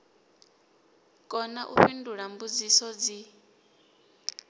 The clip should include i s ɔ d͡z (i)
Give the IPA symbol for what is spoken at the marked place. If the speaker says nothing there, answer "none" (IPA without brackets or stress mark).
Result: i